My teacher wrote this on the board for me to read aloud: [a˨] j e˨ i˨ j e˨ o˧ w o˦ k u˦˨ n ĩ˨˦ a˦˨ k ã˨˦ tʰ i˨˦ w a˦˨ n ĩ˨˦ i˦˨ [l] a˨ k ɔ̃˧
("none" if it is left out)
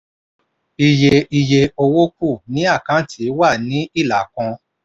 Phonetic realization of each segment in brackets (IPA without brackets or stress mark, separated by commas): i˨, l